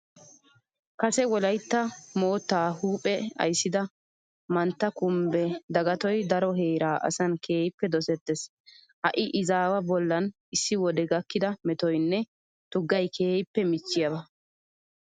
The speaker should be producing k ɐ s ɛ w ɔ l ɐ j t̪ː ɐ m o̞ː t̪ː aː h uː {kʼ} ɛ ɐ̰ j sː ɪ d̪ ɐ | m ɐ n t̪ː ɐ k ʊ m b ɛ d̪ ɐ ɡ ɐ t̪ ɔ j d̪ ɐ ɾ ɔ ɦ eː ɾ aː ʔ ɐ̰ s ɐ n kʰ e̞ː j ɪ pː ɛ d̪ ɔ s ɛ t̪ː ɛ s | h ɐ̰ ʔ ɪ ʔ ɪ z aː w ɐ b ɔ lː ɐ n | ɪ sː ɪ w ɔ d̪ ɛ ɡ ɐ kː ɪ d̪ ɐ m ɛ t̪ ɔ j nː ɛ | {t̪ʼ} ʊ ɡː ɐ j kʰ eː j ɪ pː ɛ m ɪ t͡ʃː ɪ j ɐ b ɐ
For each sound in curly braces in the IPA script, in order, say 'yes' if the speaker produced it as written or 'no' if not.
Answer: no, no

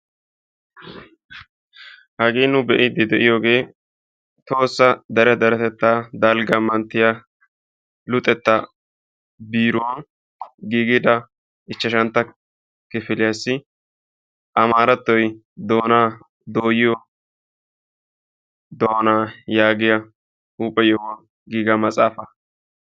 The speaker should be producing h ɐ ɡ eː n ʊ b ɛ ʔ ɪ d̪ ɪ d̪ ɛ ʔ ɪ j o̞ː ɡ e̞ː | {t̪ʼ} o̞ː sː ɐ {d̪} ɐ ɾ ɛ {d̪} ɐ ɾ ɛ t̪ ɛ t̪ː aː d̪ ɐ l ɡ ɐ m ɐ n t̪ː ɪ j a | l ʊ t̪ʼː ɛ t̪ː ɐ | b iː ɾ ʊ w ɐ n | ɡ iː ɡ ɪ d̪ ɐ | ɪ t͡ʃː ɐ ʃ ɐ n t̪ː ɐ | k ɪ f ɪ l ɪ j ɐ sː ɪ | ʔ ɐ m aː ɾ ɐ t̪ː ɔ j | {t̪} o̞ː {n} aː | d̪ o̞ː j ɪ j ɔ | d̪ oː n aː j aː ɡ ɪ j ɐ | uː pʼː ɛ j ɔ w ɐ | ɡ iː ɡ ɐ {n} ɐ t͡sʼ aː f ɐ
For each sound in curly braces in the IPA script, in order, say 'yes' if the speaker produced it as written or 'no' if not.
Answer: no, yes, yes, no, yes, no

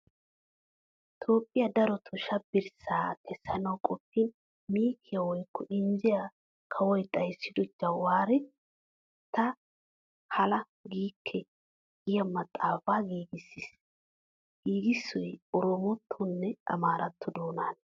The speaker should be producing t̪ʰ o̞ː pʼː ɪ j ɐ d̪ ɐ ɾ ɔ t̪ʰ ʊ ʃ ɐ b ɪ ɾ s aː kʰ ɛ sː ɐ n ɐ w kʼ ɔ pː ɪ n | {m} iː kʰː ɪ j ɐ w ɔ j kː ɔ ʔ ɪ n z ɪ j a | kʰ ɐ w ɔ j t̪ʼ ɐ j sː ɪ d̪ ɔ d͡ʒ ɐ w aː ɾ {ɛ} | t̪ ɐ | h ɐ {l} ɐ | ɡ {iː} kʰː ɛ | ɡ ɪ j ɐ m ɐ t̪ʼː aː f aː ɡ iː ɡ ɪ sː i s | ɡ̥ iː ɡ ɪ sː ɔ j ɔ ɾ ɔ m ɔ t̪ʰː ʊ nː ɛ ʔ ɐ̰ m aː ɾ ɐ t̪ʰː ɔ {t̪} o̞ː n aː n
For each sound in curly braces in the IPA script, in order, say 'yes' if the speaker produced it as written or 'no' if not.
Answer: yes, yes, yes, yes, no

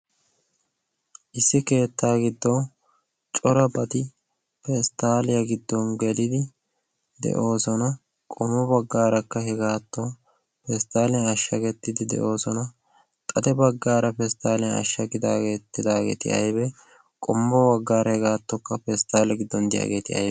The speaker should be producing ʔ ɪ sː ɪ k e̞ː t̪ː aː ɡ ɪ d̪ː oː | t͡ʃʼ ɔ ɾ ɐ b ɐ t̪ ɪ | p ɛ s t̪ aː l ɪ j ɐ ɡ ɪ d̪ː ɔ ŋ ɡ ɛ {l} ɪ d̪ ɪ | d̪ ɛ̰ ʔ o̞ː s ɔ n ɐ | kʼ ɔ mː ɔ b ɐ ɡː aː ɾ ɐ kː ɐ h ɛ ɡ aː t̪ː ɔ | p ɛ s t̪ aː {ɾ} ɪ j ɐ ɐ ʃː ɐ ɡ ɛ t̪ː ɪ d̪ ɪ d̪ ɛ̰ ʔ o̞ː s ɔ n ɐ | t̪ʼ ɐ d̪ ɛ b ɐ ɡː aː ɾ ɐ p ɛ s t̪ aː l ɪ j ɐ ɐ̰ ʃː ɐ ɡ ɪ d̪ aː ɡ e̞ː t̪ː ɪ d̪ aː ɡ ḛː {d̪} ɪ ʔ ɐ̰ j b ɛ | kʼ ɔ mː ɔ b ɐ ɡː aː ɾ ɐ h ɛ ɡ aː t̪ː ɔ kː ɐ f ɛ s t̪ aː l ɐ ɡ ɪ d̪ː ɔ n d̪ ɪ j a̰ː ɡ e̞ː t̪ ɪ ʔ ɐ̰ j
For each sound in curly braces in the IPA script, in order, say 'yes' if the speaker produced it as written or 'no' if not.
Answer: yes, no, no

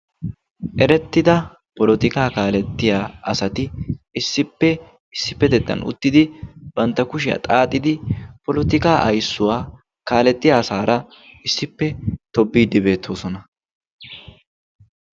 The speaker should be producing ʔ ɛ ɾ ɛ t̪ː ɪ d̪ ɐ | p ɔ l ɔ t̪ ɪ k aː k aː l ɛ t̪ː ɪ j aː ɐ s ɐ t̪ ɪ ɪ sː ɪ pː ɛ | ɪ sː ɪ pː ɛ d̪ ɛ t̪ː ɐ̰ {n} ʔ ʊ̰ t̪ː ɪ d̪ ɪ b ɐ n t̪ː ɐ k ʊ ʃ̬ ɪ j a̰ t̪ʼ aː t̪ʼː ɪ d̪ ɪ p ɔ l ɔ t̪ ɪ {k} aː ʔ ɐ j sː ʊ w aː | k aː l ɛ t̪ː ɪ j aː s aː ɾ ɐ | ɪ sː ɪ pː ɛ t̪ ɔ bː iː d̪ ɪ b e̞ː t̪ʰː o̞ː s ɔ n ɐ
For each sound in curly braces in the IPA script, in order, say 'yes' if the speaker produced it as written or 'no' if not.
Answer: yes, yes

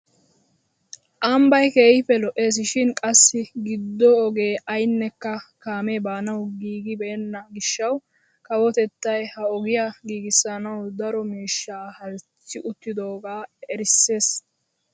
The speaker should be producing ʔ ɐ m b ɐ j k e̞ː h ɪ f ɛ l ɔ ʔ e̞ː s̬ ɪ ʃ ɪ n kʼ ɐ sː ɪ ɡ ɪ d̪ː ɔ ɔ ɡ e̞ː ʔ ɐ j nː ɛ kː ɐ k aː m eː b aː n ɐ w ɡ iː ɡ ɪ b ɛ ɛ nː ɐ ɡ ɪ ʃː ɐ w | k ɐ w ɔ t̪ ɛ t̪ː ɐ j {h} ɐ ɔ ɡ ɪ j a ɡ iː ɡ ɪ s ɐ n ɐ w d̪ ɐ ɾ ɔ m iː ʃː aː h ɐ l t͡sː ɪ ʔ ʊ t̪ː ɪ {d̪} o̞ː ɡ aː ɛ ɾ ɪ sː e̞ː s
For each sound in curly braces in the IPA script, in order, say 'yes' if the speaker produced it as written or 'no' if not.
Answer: yes, yes

